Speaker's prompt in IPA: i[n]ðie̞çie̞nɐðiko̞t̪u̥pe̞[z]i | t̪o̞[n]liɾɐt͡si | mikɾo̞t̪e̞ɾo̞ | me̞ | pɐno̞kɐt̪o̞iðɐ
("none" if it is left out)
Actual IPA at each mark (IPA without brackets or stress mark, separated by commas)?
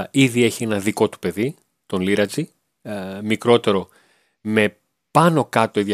none, ð, n